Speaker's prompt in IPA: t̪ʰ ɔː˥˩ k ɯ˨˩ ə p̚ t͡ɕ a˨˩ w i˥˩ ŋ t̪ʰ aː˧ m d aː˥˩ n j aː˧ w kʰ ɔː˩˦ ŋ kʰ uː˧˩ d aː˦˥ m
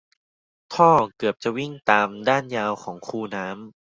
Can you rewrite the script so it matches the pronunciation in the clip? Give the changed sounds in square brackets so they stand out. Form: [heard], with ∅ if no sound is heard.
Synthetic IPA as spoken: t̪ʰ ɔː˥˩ k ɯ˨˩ ə p̚ t͡ɕ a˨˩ w i˥˩ ŋ [t̪] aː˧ m d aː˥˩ n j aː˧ w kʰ ɔː˩˦ ŋ kʰ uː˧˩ [n] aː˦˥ m